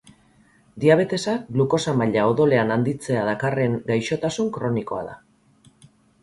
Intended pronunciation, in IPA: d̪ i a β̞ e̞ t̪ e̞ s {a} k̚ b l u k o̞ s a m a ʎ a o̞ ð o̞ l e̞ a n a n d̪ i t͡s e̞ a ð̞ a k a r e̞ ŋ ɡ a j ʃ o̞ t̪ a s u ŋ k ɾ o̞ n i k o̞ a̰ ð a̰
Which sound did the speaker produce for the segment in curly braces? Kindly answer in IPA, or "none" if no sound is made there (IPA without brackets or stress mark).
a